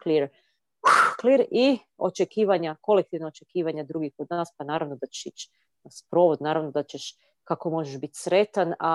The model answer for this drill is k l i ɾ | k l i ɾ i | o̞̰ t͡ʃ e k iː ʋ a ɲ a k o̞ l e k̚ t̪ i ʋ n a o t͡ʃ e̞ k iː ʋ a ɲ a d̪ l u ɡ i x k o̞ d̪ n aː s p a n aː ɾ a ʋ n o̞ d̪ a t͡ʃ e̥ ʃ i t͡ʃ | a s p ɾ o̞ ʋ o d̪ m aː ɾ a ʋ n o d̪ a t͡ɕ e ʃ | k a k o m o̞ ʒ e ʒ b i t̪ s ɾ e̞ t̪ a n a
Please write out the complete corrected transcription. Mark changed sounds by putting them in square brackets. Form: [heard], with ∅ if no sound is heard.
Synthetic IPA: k l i ɾ | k l i ɾ i | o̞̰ t͡ʃ e k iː ʋ a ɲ a k o̞ l e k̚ t̪ i ʋ n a o t͡ʃ e̞ k iː ʋ a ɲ a d̪ [ɾ] u ɡ i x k o̞ d̪ n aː s p a n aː ɾ a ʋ n o̞ d̪ a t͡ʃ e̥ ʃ i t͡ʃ | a s p ɾ o̞ ʋ o d̪ [n] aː ɾ a ʋ n o d̪ a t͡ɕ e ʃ | k a k o m o̞ ʒ e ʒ b i t̪ s ɾ e̞ t̪ a n a